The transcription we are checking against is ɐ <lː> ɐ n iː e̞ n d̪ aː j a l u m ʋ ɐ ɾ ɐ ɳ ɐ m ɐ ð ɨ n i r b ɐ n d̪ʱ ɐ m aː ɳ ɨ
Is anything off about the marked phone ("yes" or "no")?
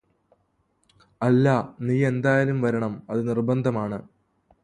no